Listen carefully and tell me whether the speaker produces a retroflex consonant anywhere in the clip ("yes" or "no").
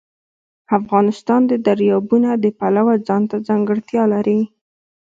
yes